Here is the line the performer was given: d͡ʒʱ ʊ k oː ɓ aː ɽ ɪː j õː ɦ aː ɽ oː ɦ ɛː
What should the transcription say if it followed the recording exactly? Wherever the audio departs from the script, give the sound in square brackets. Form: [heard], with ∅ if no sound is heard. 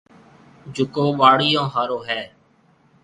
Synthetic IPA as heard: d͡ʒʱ ʊ k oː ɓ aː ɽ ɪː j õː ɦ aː [ɾ] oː ɦ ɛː